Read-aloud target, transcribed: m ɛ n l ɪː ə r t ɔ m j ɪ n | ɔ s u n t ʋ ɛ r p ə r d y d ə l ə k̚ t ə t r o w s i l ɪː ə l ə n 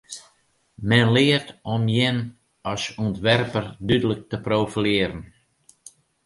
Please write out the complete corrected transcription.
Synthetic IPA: m ɛ n l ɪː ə r t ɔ m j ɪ n | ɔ s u n t ʋ ɛ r p ə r d y d ə l ə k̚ t ə p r o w f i l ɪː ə ɾ ə n